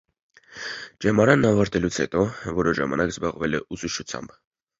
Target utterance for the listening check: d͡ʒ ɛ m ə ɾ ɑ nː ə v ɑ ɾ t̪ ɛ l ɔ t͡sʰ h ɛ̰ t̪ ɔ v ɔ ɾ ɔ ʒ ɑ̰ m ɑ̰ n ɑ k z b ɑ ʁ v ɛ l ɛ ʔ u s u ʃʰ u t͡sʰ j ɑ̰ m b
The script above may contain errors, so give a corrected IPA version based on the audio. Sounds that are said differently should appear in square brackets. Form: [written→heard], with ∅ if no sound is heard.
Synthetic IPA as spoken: d͡ʒ ɛ m [ə→ɑ] ɾ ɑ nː [ə→ɑ] v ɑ ɾ t̪ ɛ l [ɔ→u] t͡sʰ h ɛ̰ t̪ ɔ v ɔ ɾ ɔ ʒ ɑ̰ m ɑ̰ n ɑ k z b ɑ ʁ v ɛ l ɛ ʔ u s u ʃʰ u t͡sʰ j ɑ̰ m b